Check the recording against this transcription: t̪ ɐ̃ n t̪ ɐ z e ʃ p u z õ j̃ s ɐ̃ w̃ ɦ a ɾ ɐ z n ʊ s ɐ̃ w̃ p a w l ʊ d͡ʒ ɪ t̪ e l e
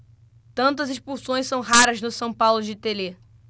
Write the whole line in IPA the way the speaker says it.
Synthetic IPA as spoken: t̪ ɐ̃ n t̪ ɐ z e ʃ p u s õ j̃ s ɐ̃ w̃ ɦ a ɾ ɐ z n ʊ s ɐ̃ w̃ p a w l ʊ d͡ʒ ɪ t̪ e l e